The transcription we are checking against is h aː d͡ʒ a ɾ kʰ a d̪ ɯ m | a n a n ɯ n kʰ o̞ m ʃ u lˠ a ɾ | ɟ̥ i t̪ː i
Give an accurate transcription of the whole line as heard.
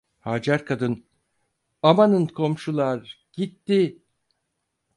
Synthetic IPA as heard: h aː d͡ʒ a ɾ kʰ a d̪ ɯ n | a m a n ɯ n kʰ o̞ m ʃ u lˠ a ɾ | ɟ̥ i t̪ː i